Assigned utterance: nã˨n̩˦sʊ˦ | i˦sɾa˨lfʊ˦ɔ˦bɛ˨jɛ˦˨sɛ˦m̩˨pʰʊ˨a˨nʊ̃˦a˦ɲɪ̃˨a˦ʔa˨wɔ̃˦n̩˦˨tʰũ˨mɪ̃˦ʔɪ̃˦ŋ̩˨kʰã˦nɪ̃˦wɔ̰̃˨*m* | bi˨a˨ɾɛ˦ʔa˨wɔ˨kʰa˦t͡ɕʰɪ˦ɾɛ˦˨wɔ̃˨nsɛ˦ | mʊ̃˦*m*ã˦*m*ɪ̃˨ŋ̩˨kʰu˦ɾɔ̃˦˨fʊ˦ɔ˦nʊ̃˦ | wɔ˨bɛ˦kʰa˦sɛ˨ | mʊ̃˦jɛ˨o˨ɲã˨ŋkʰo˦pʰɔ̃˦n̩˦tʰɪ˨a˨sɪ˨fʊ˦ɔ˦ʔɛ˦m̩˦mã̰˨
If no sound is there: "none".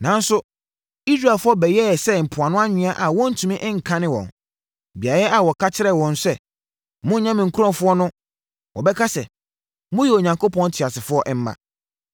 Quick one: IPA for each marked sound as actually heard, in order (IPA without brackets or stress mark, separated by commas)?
n, ɲ, m